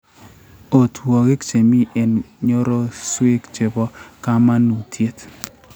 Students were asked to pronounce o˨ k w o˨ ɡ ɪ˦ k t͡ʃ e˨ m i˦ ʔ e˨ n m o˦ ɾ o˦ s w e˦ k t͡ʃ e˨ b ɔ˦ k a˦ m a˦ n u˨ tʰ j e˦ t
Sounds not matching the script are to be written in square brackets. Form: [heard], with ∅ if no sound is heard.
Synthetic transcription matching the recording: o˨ [t] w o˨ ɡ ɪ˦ k t͡ʃ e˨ m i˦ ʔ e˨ n [ɲ] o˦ ɾ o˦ s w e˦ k t͡ʃ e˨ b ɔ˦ k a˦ m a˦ n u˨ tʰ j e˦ t